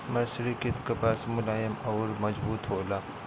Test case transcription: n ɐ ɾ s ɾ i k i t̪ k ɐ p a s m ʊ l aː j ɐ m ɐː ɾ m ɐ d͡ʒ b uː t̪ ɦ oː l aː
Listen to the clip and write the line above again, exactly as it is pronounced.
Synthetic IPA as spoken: m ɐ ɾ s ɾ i k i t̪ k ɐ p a s m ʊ l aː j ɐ m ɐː ɾ m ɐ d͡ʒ b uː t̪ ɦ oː l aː